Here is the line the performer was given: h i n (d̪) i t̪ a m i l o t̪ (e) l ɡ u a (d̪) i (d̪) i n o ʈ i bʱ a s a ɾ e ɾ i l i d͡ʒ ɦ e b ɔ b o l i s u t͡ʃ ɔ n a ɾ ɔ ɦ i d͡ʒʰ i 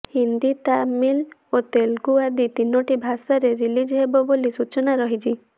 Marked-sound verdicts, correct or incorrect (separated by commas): correct, correct, correct, incorrect